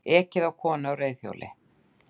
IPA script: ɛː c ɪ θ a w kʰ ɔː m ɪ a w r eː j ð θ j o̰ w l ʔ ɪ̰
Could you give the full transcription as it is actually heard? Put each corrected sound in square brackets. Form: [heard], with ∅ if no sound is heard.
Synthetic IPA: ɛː c ɪ [ð] a w kʰ ɔː [n] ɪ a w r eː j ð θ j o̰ w l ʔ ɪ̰